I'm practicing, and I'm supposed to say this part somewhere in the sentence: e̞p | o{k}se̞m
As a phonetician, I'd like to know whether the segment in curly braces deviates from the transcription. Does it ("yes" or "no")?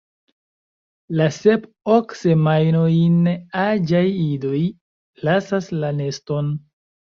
no